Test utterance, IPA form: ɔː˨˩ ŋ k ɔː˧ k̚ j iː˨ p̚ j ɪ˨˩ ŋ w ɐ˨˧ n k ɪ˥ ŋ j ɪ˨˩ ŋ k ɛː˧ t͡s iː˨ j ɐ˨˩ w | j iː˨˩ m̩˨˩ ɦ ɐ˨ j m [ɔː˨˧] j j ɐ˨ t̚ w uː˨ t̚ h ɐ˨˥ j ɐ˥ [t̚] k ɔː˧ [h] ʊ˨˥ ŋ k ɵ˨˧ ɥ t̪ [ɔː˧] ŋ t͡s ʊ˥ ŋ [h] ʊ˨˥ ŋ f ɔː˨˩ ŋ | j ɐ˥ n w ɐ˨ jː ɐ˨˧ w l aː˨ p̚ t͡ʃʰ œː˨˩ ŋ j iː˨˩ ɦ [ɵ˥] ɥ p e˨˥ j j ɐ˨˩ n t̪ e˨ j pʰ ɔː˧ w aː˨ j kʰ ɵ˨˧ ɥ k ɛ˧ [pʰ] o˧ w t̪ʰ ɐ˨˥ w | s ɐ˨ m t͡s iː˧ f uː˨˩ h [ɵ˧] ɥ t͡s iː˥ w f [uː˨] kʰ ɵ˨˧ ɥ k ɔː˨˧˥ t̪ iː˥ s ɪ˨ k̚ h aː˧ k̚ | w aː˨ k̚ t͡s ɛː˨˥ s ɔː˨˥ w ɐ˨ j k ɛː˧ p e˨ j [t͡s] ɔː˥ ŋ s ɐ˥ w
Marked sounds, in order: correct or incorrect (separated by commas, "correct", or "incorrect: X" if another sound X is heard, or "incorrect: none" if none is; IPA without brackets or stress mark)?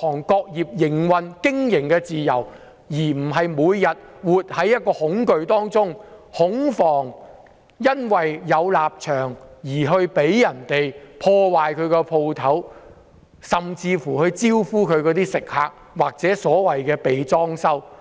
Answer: incorrect: uː˨˧, correct, correct, incorrect: ɔː˥, correct, incorrect: ɵ˧, correct, correct, incorrect: uː˥, correct